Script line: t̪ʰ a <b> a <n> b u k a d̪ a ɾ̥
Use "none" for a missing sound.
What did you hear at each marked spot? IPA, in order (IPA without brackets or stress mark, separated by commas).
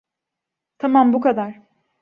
m, m